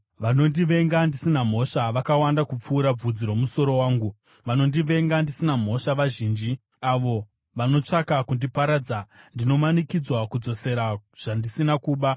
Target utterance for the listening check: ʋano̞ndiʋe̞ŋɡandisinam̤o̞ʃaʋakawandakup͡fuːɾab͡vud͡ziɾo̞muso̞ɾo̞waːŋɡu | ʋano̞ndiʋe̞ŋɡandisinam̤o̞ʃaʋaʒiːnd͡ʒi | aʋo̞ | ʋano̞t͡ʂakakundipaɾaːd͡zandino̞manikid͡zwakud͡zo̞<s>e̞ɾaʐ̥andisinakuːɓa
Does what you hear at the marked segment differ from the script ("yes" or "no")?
no